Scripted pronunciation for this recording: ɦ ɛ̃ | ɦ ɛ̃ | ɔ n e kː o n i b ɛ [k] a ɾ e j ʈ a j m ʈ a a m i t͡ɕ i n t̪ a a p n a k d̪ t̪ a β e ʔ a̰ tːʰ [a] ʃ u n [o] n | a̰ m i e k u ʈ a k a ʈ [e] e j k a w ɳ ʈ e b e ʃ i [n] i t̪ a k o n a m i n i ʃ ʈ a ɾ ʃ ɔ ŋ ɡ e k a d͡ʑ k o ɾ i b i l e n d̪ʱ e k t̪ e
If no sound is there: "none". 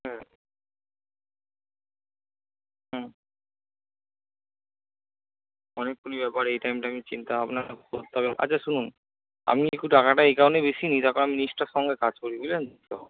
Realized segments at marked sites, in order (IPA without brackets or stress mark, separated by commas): p, a, u, a, n